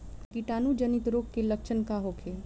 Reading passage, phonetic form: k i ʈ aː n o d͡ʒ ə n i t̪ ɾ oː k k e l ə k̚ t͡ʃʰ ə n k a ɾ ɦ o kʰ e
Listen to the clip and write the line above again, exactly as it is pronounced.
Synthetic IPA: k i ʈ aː n u d͡ʒ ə n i t̪ ɾ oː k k e l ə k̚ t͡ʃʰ ə n k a ɦ o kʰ e